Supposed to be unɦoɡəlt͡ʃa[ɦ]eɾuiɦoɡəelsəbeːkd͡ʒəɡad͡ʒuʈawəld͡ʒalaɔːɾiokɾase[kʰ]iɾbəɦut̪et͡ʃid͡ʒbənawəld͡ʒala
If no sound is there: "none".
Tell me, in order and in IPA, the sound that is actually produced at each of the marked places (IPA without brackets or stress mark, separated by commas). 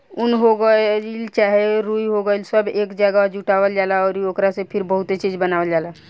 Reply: ɦ, pʰ